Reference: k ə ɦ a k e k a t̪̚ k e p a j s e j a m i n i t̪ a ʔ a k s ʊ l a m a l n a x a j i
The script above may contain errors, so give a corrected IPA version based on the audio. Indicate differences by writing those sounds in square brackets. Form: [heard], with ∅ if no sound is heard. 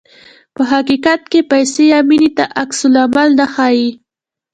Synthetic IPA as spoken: [p] ə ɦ a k [i] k a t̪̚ k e p a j s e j a m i n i t̪ a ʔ a k s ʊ l a m a l n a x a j i